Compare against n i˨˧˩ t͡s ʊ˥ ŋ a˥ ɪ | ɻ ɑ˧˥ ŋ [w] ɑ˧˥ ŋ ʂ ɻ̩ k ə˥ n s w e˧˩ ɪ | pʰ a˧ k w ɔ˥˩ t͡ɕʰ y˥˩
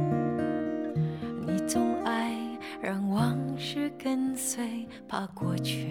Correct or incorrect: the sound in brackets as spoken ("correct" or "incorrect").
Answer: correct